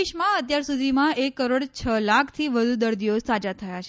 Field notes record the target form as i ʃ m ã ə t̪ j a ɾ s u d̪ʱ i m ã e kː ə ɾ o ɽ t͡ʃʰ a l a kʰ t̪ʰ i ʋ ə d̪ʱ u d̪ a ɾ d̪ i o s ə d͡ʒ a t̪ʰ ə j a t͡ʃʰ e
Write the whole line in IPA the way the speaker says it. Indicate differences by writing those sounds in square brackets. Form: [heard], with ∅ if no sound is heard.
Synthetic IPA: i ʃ m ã ə t̪ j a ɾ s u d̪ʱ i m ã e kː ə ɾ o ɽ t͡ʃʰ [ə] l a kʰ t̪ʰ i ʋ ə d̪ʱ u d̪ [ə] ɾ d̪ i o s [a] d͡ʒ a t̪ʰ ə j a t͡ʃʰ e

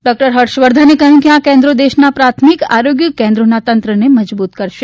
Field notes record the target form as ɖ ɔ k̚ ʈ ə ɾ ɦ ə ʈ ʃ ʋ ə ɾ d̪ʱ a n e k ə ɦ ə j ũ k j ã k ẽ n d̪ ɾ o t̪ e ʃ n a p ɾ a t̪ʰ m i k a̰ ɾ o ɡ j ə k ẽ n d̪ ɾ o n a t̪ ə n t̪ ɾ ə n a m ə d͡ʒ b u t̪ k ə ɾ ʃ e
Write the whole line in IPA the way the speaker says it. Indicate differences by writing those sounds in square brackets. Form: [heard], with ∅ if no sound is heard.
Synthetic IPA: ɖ ɔ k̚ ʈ ə ɾ ɦ ə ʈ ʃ ʋ ə ɾ d̪ʱ a n e k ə ɦ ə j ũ k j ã k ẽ n d̪ ɾ o [d̪] e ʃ n a p ɾ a t̪ʰ m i k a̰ ɾ o ɡ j ə k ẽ n d̪ ɾ o n a t̪ ə n t̪ ɾ ə n [e] m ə d͡ʒ b u t̪ k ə ɾ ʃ e

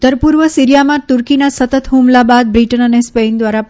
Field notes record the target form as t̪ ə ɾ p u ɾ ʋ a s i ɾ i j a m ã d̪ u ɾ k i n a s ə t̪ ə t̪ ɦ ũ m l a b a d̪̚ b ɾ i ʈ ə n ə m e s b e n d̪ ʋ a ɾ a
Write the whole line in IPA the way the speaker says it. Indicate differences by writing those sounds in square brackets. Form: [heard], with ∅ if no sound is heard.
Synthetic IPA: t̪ ə ɾ p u ɾ ʋ [ə] s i ɾ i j a m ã [t̪] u ɾ k i n a s ə t̪ ə t̪ ɦ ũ m l a b a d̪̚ b ɾ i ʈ ə n ə [n] e s [p] e n d̪ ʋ a ɾ a

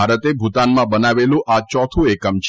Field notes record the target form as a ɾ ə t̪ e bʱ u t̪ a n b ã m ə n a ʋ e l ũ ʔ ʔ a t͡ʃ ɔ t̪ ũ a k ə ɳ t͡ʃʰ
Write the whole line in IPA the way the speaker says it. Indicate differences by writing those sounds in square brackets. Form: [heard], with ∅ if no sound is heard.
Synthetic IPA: a ɾ ə t̪ e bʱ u t̪ a n [m] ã [b] ə n a ʋ e l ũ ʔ ʔ a t͡ʃ ɔ [t̪ʰ] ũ [e] k ə [m] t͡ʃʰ

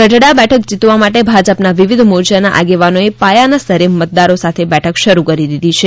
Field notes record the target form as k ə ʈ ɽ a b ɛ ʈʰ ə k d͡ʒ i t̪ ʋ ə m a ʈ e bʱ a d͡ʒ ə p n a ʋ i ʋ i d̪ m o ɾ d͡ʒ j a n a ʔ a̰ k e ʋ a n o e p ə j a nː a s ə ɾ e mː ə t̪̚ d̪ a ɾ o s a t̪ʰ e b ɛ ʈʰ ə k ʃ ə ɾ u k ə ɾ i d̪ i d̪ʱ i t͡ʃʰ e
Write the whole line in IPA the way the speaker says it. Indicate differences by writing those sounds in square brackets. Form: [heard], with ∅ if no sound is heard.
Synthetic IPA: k ə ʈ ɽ a b ɛ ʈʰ ə k d͡ʒ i t̪ ʋ [a] m a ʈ e bʱ a d͡ʒ ə p n a ʋ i ʋ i d̪ m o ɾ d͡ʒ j a n a ʔ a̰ [ɡ] e ʋ a n o e p [a] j a [n] a s ə ɾ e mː ə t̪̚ d̪ a ɾ o s a t̪ʰ e b ɛ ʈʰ ə k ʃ ə ɾ u k ə ɾ i d̪ i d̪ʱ i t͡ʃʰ e

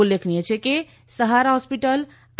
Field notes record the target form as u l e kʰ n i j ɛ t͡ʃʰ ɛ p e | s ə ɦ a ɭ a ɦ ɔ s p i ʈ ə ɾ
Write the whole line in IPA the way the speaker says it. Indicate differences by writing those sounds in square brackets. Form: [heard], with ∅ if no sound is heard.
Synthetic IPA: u l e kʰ n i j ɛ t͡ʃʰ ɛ [k] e | s ə ɦ a [ɾ] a ɦ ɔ s p i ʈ ə [l]

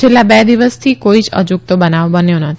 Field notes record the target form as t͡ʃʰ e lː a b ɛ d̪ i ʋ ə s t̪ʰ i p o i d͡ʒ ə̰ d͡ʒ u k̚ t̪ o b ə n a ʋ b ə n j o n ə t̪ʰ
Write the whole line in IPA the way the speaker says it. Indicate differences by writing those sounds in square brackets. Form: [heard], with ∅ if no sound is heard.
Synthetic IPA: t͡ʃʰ e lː a b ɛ d̪ i ʋ ə s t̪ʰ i [k] o i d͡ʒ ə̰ d͡ʒ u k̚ t̪ o b ə n a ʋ b ə n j o n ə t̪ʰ

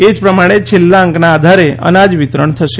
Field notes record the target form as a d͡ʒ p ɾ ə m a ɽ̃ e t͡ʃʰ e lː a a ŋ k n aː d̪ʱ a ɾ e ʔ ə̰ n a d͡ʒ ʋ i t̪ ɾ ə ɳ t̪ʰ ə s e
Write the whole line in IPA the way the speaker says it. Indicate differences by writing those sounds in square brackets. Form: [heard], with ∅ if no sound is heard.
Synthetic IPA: [e] d͡ʒ p ɾ ə m a ɽ̃ e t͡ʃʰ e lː a [ə] ŋ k n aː d̪ʱ a ɾ e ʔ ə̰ n a d͡ʒ ʋ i t̪ ɾ ə ɳ t̪ʰ ə [ʃ] e

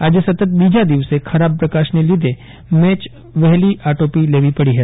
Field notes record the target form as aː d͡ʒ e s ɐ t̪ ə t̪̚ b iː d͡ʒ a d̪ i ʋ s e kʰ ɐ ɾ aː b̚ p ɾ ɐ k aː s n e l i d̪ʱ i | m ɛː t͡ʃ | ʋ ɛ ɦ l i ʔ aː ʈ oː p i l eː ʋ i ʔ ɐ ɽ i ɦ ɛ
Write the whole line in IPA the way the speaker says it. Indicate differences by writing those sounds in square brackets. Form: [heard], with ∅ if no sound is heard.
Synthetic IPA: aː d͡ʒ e s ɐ t̪ ə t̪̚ b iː d͡ʒ a d̪ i ʋ s e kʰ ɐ ɾ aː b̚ p ɾ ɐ k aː [ʃ] n e l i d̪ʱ [e] | m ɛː t͡ʃ | ʋ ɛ ɦ l i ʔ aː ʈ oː p i l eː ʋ i [p] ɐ ɽ i ɦ ɛ

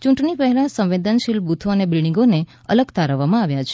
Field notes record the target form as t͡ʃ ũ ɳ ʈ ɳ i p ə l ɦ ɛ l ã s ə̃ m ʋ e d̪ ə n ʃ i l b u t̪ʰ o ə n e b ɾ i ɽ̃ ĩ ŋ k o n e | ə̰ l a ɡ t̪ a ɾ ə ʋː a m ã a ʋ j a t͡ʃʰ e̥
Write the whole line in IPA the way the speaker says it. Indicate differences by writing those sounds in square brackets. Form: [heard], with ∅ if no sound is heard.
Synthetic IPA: t͡ʃ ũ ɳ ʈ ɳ i p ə [∅] ɦ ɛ l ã s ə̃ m ʋ e d̪ ə n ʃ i l b u t̪ʰ o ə n e b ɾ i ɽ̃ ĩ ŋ [ɡ] o n e | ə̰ l [ə] ɡ t̪ a ɾ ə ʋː a m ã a ʋ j a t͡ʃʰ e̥

